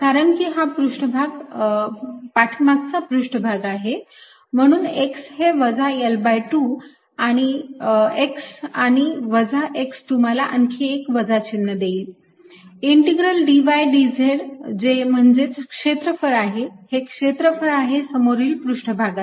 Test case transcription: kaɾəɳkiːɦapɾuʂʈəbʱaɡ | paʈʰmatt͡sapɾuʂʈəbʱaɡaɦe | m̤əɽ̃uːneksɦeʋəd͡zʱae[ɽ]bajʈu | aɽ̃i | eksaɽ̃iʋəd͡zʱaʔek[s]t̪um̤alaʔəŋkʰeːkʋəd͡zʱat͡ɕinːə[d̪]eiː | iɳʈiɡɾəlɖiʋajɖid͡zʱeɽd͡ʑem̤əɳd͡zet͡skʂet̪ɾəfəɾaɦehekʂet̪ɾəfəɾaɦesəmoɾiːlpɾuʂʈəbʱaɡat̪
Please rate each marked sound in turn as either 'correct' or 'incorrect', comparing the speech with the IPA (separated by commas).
incorrect, correct, correct